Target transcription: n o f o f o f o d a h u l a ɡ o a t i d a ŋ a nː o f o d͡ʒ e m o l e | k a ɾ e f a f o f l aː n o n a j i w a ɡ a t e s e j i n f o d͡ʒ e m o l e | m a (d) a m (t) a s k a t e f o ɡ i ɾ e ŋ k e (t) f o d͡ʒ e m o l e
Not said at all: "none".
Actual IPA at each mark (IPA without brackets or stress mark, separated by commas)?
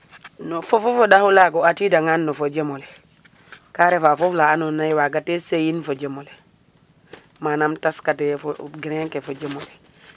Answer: n, t, none